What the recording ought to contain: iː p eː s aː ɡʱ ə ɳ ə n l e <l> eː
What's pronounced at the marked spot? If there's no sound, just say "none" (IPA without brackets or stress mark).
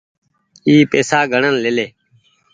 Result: l